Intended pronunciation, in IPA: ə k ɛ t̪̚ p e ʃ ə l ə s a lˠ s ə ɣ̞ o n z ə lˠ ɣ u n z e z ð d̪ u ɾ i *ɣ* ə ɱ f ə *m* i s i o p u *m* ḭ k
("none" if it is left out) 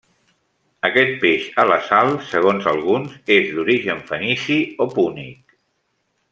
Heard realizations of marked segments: ʒ, n, n

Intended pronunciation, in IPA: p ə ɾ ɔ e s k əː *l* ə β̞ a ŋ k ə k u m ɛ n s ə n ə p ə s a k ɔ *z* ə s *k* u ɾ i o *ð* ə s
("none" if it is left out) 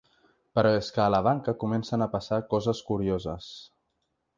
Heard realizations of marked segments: l, z, k, z

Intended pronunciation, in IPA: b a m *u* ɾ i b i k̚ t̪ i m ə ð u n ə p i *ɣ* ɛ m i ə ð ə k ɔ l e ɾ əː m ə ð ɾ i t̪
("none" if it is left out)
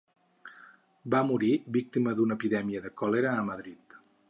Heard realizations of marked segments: u, ð

